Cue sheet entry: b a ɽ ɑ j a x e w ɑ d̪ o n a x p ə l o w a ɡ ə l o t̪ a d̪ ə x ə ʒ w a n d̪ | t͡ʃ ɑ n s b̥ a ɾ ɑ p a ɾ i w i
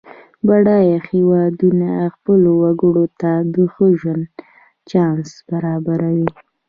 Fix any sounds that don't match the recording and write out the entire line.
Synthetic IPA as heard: b a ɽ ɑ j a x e w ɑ d̪ u n a x p ə l o w a ɡ ə ɽ o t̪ a d̪ ə x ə ʒ w a n d̪ | t͡ʃ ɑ n s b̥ a ɾ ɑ b a ɾ a w i